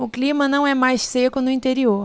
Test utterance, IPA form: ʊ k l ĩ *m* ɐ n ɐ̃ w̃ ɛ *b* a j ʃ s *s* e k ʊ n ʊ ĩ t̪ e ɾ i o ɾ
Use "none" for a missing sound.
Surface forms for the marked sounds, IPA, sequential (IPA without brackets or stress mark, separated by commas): m, m, s